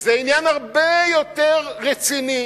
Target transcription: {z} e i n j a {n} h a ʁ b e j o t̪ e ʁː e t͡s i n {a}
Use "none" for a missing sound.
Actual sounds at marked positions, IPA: z, n, i

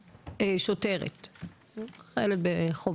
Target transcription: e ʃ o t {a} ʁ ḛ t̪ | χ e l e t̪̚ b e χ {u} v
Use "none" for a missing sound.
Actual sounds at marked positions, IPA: e, o

